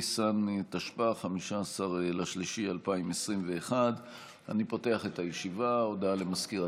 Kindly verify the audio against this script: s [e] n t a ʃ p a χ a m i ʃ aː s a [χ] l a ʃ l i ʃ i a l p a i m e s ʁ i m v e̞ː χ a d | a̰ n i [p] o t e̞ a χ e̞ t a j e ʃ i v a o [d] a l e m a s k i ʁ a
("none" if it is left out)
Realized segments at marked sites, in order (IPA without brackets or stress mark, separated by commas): a, ʁ, p, d